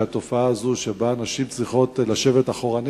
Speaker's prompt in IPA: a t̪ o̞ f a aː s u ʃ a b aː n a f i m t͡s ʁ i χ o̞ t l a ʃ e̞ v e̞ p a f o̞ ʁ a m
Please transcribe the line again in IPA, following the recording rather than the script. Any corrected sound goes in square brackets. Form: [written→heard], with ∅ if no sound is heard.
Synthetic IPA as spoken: a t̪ o̞ f a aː [s→z] u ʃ [a→e] b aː n a [f→ʃ] i m t͡s ʁ i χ o̞ t l a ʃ e̞ v e̞ [p→t] a [f→χ] o̞ ʁ a [m→n]